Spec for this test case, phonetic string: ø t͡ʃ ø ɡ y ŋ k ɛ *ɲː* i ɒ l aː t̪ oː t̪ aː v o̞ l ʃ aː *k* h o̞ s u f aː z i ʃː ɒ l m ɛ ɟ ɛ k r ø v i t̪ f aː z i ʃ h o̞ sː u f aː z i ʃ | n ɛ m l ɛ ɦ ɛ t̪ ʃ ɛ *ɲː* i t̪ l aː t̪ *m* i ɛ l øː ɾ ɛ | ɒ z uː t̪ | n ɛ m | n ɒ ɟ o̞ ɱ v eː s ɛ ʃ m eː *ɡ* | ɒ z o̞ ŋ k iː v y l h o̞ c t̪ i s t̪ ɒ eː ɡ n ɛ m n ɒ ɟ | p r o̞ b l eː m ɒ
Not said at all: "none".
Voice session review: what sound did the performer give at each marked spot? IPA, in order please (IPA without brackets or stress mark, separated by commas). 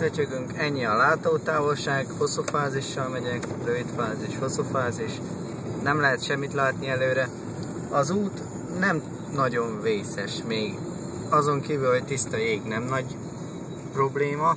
ɲː, ɡ, mː, n, ɡ